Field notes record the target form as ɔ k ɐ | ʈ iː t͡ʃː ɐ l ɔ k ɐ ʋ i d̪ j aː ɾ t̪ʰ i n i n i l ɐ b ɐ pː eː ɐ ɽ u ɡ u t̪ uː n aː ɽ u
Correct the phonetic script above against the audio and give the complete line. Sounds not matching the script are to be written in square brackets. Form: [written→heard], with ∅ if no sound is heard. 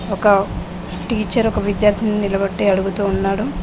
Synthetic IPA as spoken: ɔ k ɐ | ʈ iː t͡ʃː ɐ [l→ɾ] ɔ k ɐ ʋ i d̪ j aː ɾ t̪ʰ i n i n i l ɐ b ɐ [pː→ʈː] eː ɐ ɽ u ɡ u t̪ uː [n→nː] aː ɽ u